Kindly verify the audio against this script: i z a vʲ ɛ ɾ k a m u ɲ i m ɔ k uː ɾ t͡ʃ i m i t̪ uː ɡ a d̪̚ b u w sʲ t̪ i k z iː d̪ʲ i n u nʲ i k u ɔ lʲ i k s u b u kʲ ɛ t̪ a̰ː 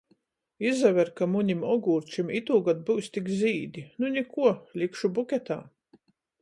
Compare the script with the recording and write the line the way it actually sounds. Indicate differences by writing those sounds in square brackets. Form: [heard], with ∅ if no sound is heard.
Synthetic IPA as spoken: i z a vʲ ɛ ɾ k a m u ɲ i m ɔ [ɡ] uː ɾ t͡ʃ i m i t̪ uː ɡ a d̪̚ b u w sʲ t̪ i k z iː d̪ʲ i n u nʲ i k u ɔ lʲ i k [ʃ] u b u kʲ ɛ t̪ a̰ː